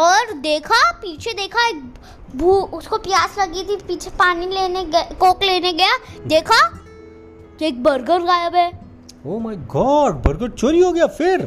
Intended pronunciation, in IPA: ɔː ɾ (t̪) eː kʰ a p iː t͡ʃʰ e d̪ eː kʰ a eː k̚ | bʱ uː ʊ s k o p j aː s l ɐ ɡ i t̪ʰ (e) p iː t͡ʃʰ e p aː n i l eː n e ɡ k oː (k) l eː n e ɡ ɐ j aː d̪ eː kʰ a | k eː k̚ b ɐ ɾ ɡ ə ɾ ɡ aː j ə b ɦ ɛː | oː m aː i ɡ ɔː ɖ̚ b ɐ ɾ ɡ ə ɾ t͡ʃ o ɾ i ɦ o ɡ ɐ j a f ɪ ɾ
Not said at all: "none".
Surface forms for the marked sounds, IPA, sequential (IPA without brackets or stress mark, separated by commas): d̪, i, k